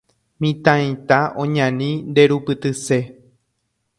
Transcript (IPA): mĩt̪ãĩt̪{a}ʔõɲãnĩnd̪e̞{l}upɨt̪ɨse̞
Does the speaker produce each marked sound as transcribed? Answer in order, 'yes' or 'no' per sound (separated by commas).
yes, no